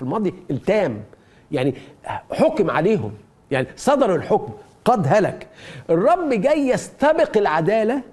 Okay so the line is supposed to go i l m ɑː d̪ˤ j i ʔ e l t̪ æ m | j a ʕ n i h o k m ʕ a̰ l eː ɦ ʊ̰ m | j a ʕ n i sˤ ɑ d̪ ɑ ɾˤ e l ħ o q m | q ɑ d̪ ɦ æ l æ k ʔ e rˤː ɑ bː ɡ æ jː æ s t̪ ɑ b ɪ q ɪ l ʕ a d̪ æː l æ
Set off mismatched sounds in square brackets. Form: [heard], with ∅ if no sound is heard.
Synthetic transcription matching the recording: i l m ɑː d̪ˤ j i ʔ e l t̪ [æː] m | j a ʕ n i [ħ] o k m ʕ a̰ l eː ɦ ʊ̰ m | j a ʕ n i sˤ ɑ d̪ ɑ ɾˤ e l ħ o [k] m | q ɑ d̪ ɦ æ l æ k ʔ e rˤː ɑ bː ɡ æ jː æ s t̪ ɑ b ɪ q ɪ l ʕ a d̪ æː l æ

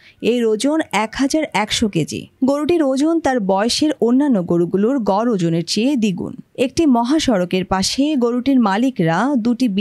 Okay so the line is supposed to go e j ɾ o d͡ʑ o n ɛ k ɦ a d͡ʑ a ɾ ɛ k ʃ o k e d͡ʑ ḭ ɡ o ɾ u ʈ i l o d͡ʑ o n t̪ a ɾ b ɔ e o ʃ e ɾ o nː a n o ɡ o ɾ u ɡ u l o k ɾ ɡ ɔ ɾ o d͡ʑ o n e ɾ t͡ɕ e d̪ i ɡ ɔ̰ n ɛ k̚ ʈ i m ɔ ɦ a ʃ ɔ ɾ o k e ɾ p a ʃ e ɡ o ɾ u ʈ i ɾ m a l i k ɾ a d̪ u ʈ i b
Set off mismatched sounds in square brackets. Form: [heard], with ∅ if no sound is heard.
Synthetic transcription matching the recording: e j ɾ o d͡ʑ o n ɛ k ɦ a d͡ʑ a ɾ ɛ k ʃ o k e d͡ʑ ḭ ɡ o ɾ u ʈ i [ɾ] o d͡ʑ o n t̪ a ɾ b ɔ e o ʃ e ɾ o nː a [nː] o ɡ o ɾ u ɡ u l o [∅] ɾ ɡ ɔ ɾ o d͡ʑ o n e ɾ t͡ɕ e d̪ i ɡ [ṵ] n [e] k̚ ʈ i m ɔ ɦ a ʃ ɔ ɾ o k e ɾ p a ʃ e ɡ o ɾ u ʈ i ɾ m a l i k ɾ a d̪ u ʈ i b

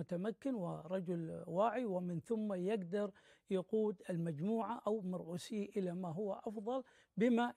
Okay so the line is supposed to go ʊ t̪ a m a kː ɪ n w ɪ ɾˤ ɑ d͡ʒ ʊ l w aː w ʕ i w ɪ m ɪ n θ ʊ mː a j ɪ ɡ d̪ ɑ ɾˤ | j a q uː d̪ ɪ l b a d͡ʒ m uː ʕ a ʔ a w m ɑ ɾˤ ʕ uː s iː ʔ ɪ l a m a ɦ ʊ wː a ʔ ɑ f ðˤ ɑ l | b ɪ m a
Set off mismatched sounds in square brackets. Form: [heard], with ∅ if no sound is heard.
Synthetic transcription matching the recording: ʊ t̪ a m a kː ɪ n w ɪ ɾˤ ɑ d͡ʒ ʊ l w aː [∅] ʕ i w ɪ m ɪ n θ ʊ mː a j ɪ ɡ d̪ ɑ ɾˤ | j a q uː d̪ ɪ l [m] a d͡ʒ m uː ʕ a ʔ a w m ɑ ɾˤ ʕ uː s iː ʔ ɪ l a m a ɦ ʊ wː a ʔ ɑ f ðˤ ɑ l | b ɪ m a

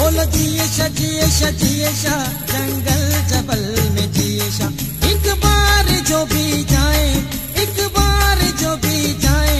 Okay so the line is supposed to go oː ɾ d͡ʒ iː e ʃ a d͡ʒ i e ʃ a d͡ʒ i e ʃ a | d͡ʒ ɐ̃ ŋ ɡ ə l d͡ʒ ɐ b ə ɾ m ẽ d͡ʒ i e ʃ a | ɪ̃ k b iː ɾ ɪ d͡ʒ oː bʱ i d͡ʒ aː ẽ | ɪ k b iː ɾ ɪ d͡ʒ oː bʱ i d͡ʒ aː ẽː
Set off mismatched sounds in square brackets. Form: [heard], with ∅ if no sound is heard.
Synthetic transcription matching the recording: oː [l] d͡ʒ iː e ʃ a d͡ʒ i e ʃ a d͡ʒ i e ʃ a | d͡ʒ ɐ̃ ŋ ɡ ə l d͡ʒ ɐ b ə [l] m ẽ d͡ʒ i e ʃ a | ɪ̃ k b [aː] ɾ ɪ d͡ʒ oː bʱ i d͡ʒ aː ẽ | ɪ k b [aː] ɾ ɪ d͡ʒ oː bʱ i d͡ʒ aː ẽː

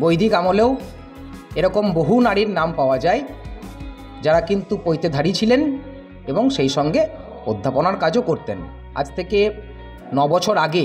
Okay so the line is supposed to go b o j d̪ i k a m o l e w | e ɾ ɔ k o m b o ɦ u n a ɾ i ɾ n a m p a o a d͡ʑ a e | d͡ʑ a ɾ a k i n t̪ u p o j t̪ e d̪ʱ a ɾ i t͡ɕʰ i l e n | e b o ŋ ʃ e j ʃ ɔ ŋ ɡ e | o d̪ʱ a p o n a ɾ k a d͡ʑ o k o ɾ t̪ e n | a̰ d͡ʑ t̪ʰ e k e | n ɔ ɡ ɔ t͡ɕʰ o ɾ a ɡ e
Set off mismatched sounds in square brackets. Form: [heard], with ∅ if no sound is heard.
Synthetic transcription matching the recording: b o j d̪ i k a m o l e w | e ɾ ɔ k o m b o ɦ u n a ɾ i ɾ n a m p a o a d͡ʑ a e | d͡ʑ a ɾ a k i n t̪ u p o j t̪ e d̪ʱ a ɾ i t͡ɕʰ i l e n | e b o ŋ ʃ e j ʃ ɔ ŋ ɡ e | o [d̪ʱː] a p o n a ɾ k a d͡ʑ o k o ɾ t̪ e n | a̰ d͡ʑ t̪ʰ e k e | n ɔ [b] ɔ t͡ɕʰ o ɾ a ɡ e

